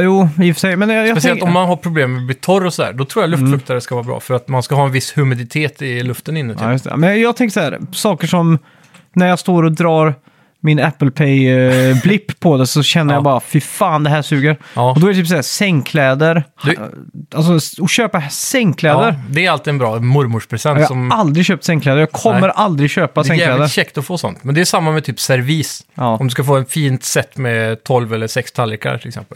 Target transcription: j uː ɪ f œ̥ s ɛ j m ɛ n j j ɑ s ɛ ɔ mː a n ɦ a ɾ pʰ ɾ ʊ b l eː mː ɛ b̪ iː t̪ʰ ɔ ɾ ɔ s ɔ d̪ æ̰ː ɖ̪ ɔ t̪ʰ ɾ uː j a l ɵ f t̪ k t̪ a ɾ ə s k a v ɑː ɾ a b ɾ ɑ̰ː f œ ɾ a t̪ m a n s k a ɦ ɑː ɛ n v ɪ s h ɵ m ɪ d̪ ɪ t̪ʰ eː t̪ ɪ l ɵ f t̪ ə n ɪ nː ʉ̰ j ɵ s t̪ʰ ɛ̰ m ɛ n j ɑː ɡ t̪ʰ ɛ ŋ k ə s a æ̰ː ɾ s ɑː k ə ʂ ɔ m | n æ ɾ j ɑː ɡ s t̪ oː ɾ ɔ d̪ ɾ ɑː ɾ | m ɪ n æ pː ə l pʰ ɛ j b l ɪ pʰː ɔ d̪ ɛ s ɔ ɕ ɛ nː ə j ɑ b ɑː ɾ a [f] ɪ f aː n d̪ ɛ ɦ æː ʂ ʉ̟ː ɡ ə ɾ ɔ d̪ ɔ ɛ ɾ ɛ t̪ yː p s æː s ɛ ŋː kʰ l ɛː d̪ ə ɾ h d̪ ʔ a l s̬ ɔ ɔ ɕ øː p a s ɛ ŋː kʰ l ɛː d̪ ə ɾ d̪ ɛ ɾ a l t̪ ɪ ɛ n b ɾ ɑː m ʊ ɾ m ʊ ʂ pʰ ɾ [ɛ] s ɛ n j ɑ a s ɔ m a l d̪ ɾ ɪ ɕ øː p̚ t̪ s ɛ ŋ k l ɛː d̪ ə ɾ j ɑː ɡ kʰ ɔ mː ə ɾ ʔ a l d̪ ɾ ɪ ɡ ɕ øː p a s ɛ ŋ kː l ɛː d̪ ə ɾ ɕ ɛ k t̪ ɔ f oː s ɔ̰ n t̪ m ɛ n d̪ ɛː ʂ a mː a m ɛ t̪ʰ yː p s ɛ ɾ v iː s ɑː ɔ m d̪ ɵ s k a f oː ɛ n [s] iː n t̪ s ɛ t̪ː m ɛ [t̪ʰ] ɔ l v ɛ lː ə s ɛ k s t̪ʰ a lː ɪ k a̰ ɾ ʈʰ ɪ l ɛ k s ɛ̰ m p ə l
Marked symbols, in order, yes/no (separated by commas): yes, yes, no, yes